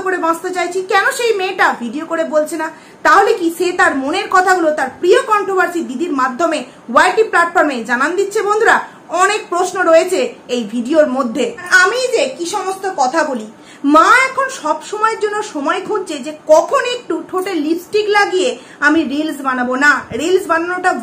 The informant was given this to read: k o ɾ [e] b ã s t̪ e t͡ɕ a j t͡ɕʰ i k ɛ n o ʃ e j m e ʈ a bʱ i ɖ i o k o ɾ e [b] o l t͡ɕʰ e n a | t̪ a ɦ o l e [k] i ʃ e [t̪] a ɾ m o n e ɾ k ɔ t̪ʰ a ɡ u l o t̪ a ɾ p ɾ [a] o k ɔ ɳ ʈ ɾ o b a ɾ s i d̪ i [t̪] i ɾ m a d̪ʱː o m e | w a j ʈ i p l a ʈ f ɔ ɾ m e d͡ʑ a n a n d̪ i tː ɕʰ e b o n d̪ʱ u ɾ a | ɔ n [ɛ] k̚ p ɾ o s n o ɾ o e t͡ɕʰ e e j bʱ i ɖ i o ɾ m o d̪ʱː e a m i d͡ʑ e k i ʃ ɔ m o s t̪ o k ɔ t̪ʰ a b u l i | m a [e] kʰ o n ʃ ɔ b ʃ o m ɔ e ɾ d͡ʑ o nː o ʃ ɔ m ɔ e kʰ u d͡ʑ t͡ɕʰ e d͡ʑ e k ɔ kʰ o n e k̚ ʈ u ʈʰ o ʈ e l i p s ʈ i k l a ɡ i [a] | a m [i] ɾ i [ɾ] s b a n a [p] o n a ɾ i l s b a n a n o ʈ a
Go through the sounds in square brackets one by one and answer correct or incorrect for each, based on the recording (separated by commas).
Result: correct, correct, correct, correct, incorrect, incorrect, incorrect, incorrect, incorrect, correct, incorrect, incorrect